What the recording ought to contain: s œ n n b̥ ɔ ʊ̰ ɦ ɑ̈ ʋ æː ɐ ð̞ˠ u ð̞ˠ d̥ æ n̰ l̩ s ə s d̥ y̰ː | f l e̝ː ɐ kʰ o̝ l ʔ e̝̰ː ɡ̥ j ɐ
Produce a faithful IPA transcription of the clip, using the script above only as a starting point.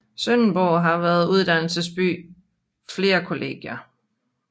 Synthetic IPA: s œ n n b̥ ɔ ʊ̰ ɦ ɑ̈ ʋ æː ɐ ð̞ˠ u ð̞ˠ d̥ æ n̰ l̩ s ə s b̥ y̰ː | f l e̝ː ɐ kʰ o̝ l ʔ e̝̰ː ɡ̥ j ɐ